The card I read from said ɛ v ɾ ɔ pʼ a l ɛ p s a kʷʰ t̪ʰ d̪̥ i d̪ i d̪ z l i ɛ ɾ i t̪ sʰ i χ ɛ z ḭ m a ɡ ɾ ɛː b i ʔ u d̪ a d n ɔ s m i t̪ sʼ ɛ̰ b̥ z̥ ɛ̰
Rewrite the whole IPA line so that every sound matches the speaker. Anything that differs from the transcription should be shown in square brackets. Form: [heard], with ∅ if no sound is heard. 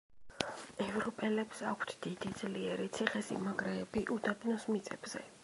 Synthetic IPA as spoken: ɛ v ɾ ɔ pʼ [ɛ] l ɛ p s a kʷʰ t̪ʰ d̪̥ i d̪ i d̪ z l i ɛ ɾ i t̪ sʰ i χ ɛ [s] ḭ m a ɡ ɾ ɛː b i ʔ u d̪ a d n ɔ s m i t̪ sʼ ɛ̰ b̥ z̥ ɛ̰

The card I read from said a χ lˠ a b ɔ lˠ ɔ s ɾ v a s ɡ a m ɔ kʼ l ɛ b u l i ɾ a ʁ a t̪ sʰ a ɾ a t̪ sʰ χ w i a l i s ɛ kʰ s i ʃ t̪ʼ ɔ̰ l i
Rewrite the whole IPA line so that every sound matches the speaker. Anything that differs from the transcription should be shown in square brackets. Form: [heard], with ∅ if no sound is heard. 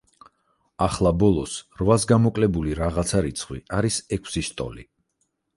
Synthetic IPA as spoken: a χ lˠ a b ɔ lˠ ɔ s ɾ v a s ɡ a m ɔ kʼ l ɛ b u l i ɾ a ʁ a t̪ sʰ a ɾ [i] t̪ sʰ χ w i a [ɾ] i s ɛ kʰ s i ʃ t̪ʼ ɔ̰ l i

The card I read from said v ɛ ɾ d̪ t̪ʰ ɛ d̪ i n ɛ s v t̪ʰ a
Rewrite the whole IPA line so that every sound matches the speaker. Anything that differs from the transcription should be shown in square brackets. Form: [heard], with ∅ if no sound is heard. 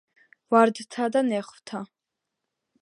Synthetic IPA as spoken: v [a] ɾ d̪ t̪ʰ [a] d̪ [a] n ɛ [χ] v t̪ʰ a

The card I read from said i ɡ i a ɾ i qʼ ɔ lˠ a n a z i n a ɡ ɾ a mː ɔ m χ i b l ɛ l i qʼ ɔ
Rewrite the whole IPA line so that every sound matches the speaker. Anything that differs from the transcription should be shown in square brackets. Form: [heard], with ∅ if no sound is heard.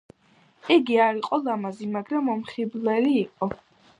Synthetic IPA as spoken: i ɡ i a ɾ i qʼ ɔ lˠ a [m] a z i [m] a ɡ ɾ a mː ɔ m χ i b l ɛ l [iː] qʼ ɔ

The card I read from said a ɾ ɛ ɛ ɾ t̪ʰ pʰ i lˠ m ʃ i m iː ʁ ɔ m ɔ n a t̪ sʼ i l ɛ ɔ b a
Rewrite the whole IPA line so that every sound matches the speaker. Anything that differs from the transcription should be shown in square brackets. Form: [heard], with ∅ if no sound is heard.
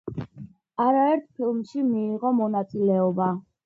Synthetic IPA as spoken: a ɾ [a] ɛ ɾ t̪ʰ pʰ i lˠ m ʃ i m iː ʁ ɔ m ɔ n a t̪ sʼ i l ɛ ɔ b a

